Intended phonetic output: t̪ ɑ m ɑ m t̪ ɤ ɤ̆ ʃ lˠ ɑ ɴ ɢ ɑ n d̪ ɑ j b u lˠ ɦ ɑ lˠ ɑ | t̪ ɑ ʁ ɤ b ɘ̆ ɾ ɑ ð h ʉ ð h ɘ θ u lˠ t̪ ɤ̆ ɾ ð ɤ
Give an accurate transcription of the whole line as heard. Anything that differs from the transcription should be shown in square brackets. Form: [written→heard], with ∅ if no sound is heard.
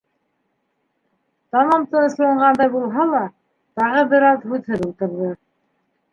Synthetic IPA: t̪ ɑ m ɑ m t̪ ɤ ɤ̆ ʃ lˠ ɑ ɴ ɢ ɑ n d̪ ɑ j b u lˠ ɦ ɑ lˠ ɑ | t̪ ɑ ʁ ɤ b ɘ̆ ɾ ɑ ð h ʉ ð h ɘ [θ→ð] u lˠ t̪ ɤ̆ ɾ ð ɤ